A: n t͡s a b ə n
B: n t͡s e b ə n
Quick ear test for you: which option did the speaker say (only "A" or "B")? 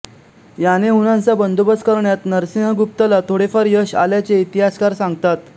A